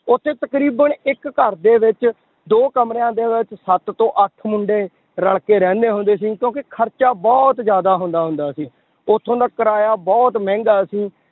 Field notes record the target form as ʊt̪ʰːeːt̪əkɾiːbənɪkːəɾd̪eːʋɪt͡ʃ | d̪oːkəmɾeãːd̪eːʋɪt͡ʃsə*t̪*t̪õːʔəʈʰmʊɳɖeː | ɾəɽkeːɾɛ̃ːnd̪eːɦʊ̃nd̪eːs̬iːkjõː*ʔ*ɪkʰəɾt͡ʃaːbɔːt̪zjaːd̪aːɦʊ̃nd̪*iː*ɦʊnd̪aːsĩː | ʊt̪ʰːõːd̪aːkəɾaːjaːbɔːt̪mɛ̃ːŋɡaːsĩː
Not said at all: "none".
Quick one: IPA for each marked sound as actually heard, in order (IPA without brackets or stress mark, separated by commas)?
t̪, k, aː